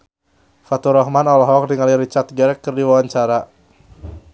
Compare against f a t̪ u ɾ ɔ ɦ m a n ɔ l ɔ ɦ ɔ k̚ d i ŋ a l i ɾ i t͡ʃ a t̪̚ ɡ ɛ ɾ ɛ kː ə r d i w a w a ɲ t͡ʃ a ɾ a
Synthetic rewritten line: f a t̪ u ɾ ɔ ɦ m a n ɔ l ɔ ɦ ɔ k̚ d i ŋ a l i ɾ i t͡ʃ a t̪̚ ɡ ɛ ɾ ɛ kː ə r d i w a w a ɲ t͡ʃ a ɾ a